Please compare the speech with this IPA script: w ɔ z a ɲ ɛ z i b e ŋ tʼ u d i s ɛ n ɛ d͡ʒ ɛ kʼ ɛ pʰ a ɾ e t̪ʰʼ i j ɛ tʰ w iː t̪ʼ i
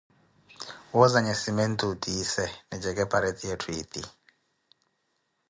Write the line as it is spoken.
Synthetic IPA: w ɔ z a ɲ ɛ s i m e n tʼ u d i s ɛ n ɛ d͡ʒ ɛ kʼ ɛ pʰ a ɾ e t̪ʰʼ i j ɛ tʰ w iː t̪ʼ i